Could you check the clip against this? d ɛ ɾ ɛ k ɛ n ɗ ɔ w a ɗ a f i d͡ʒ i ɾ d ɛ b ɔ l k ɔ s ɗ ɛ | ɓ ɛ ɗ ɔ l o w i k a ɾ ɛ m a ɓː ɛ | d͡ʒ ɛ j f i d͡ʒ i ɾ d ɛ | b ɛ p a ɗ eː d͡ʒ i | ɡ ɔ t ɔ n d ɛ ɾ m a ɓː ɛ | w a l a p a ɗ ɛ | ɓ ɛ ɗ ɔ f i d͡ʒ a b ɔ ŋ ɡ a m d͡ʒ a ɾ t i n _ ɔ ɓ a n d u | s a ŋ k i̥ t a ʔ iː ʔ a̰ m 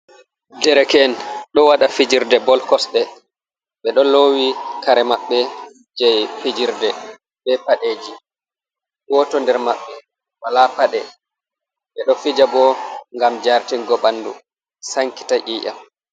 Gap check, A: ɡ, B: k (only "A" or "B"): A